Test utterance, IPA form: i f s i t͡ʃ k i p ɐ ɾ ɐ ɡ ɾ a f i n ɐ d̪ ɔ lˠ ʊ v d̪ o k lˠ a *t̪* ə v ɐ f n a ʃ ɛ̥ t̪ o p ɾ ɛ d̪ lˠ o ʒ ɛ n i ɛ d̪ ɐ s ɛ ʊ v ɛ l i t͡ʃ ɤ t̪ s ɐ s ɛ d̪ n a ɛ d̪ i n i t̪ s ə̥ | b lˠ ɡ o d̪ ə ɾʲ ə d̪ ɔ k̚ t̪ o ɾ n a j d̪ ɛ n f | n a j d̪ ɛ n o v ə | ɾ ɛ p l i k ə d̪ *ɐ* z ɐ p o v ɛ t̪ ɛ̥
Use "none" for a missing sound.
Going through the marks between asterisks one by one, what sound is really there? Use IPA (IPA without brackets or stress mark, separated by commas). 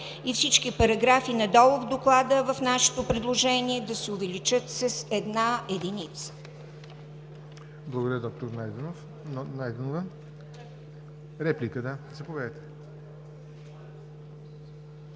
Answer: d̪, a